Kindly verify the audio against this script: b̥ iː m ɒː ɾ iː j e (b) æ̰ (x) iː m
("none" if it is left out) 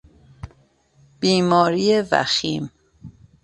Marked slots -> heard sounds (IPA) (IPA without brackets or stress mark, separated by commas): v, x